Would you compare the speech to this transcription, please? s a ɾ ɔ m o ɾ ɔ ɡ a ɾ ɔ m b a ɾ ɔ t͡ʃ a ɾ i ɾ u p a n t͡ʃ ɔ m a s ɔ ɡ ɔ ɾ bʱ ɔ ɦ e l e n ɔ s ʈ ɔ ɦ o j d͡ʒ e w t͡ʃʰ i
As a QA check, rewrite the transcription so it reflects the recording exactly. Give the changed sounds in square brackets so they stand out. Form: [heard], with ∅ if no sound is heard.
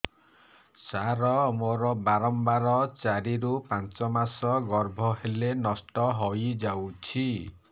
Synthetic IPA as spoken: s a ɾ ɔ m o ɾ ɔ [b] a ɾ ɔ m b a ɾ ɔ t͡ʃ a ɾ i ɾ u p a n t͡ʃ ɔ m a s ɔ ɡ ɔ ɾ bʱ ɔ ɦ e l e n ɔ s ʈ ɔ ɦ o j d͡ʒ [a] w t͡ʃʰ i